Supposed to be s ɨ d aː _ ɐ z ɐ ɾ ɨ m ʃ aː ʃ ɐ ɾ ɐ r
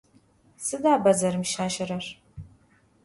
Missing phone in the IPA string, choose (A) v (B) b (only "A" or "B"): B